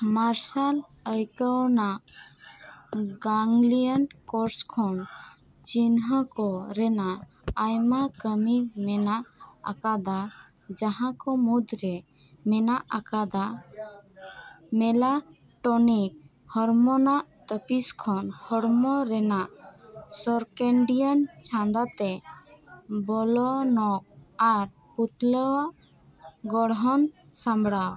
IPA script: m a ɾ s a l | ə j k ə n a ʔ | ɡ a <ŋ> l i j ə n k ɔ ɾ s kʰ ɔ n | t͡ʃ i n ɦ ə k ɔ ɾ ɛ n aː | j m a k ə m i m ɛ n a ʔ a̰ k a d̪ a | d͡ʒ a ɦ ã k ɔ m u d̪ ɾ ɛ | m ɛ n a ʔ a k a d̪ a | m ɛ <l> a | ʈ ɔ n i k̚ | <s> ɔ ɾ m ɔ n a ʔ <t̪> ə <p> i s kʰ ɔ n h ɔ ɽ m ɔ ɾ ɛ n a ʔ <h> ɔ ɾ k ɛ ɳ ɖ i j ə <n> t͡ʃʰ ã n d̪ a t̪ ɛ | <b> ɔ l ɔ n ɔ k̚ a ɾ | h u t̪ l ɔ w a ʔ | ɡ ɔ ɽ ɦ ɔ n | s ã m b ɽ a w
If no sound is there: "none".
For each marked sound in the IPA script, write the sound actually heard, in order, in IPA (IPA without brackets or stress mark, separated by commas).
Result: ŋ, l, h, t̪, p, s, n, b